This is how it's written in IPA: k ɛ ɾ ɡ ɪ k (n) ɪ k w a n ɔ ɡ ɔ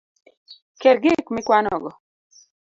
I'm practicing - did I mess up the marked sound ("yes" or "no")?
yes